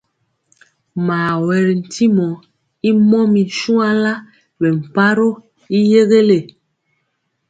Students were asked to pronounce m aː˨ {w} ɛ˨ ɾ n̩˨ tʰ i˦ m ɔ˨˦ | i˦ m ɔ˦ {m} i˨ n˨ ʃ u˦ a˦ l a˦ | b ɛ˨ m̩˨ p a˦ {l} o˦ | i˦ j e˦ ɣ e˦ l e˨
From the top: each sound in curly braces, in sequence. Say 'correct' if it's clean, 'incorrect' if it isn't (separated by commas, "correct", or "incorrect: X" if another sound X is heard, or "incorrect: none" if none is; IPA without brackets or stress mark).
correct, correct, incorrect: ɾ